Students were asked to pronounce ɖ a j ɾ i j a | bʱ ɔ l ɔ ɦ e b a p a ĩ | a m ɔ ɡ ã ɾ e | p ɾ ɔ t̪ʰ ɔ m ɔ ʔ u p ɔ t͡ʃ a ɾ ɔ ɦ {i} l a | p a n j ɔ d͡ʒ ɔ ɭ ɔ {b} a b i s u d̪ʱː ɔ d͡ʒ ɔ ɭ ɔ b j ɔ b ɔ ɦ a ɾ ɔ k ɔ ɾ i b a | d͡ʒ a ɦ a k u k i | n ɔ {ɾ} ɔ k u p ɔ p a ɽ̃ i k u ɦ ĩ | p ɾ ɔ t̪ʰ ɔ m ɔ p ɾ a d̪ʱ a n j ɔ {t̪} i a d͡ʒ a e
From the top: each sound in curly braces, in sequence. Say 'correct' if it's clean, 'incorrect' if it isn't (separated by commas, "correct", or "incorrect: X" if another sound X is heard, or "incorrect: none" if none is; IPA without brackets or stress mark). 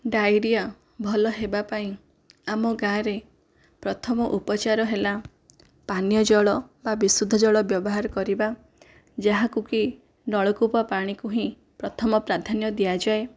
incorrect: e, correct, incorrect: ɭ, incorrect: d̪